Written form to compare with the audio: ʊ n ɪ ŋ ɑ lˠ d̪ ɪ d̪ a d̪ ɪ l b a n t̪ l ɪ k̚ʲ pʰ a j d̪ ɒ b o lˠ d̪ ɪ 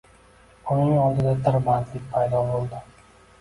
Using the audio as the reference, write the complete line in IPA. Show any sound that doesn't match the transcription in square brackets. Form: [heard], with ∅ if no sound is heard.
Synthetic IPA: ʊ n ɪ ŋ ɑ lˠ d̪ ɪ d̪ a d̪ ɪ [ɾ] b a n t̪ l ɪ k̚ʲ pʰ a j d̪ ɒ b o lˠ d̪ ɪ